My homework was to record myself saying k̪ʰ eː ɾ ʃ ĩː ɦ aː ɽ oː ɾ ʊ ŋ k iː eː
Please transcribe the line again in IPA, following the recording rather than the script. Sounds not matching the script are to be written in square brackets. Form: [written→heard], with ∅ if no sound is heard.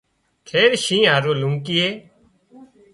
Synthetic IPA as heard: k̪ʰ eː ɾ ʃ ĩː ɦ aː [ɽ→ɾ] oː [ɾ→l] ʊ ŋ k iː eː

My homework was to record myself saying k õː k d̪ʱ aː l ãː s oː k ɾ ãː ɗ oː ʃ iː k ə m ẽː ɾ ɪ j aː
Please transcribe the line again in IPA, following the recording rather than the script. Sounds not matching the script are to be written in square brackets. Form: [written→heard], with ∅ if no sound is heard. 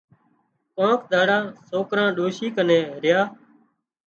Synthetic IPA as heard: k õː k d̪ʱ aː [l→ɽ] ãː s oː k ɾ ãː ɗ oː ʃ iː k ə [m→n] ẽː ɾ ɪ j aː

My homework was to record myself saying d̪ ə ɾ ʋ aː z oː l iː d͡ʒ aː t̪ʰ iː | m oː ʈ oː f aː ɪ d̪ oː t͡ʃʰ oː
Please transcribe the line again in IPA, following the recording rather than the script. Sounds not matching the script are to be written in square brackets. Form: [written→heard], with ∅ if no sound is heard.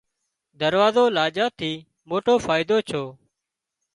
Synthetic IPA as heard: d̪ ə ɾ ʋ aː z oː l [iː→aː] d͡ʒ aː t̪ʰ iː | m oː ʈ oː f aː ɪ d̪ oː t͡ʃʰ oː

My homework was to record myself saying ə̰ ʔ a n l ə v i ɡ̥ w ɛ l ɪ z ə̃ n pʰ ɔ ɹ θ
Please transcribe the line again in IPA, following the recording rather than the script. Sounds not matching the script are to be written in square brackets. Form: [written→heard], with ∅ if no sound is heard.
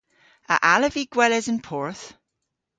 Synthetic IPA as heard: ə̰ ʔ a [n→∅] l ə v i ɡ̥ w ɛ l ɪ z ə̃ n pʰ ɔ ɹ θ

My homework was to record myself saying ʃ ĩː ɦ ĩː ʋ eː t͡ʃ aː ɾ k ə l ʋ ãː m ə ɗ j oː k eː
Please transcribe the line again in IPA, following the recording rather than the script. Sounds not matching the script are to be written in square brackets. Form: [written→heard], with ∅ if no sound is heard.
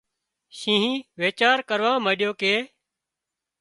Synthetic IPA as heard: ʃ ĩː ɦ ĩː ʋ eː t͡ʃ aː ɾ k ə [l→ɾ] ʋ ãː m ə ɗ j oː k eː

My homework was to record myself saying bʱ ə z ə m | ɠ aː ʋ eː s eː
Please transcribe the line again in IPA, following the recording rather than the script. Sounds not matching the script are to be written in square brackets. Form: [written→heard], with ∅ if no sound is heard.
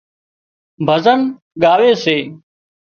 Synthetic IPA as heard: bʱ ə z ə [m→n] | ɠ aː ʋ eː s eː

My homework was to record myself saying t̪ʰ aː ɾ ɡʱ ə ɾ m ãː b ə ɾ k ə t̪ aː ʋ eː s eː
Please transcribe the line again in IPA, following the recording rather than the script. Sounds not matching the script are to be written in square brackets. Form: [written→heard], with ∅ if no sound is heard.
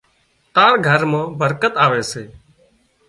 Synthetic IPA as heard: [t̪ʰ→t̪] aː ɾ ɡʱ ə ɾ m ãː b ə ɾ k ə t̪ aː ʋ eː s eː

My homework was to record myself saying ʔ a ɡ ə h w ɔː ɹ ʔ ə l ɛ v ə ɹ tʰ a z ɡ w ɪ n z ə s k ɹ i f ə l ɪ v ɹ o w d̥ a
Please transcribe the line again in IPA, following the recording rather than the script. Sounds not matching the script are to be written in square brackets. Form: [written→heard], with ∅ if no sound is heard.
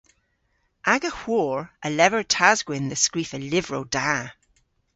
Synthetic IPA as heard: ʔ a ɡ ə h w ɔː ɹ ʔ ə l ɛ v ə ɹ tʰ a z ɡ w ɪ n [z→ð] ə s k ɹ i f ə l ɪ v ɹ o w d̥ a

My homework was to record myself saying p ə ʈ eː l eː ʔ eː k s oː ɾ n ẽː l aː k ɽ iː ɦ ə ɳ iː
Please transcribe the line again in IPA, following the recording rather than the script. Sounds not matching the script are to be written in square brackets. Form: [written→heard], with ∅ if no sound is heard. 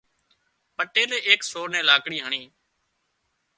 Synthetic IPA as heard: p ə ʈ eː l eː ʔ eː k s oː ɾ n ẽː l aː k ɽ iː ɦ ə ɳ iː

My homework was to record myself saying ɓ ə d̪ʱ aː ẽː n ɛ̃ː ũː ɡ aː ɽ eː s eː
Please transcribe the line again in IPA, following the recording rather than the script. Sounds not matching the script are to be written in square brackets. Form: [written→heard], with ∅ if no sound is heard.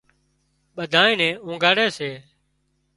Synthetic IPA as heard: ɓ ə d̪ʱ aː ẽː n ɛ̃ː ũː ɡ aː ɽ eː s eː

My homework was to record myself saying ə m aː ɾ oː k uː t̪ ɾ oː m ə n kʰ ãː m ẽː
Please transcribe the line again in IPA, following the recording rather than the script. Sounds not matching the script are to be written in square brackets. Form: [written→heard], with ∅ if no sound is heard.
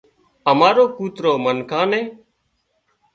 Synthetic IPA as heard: ə m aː ɾ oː k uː t̪ ɾ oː m ə n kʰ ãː [m→n] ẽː

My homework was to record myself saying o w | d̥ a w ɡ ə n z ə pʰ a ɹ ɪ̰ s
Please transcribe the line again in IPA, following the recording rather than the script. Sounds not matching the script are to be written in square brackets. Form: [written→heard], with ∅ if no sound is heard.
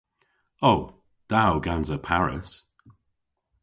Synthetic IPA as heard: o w | d̥ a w ɡ [ə→a] n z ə pʰ a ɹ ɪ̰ s

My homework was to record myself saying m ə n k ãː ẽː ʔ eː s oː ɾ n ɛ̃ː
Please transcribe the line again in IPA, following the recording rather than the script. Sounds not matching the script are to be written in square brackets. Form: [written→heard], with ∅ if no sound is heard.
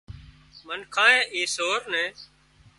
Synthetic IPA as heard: m ə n [k→kʰ] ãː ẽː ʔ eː s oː ɾ n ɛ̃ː

